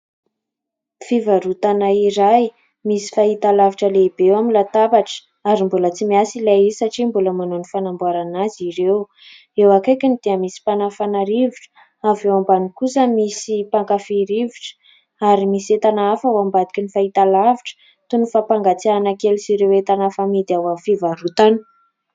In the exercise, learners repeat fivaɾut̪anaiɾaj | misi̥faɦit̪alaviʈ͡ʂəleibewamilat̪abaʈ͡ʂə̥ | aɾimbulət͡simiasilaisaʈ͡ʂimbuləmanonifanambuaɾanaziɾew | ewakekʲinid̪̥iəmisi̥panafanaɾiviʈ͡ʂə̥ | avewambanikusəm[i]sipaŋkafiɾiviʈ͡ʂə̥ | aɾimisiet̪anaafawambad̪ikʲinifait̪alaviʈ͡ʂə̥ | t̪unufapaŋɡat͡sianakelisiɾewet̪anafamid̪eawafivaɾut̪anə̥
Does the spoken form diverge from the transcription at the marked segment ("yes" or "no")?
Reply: no